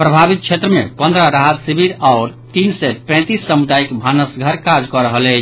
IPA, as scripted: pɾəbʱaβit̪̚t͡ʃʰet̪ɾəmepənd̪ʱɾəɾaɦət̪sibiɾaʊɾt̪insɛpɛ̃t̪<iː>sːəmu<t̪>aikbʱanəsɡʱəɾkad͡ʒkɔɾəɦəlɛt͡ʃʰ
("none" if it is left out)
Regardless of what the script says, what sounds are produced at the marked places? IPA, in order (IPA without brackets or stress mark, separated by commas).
i, d̪